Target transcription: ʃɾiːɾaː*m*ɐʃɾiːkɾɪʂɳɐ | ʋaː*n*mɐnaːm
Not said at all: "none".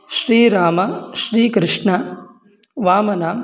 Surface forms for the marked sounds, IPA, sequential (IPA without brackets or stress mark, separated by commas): m, none